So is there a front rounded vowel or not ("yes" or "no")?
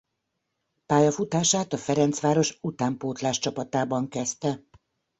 no